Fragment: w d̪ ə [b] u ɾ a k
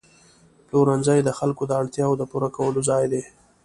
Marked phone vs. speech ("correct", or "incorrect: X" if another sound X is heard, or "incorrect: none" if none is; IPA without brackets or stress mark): incorrect: p